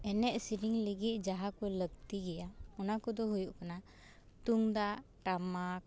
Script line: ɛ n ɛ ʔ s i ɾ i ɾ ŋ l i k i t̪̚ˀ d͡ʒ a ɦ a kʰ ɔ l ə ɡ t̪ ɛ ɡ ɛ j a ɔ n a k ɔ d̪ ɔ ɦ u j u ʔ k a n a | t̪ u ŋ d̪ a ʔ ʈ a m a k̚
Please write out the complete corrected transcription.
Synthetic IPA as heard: ɛ n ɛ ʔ s i ɾ i ŋ l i ɡ i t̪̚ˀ d͡ʒ a ɦ a k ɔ l ə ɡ t̪ i ɡ ɛ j a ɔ n a k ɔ d̪ ɔ ɦ u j u ʔ k a n a | t̪ u ŋ d̪ a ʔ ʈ a m a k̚